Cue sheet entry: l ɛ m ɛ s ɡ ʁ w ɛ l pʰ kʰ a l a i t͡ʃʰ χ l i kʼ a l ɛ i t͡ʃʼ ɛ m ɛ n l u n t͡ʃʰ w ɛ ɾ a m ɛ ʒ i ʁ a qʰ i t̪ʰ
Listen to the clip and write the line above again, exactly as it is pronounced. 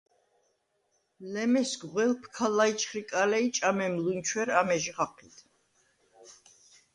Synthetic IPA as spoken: l ɛ m ɛ s ɡ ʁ w ɛ l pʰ kʰ a l a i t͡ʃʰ χ ɾ i kʼ a l ɛ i t͡ʃʼ a m ɛ m l u n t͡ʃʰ w ɛ ɾ a m ɛ ʒ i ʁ a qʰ i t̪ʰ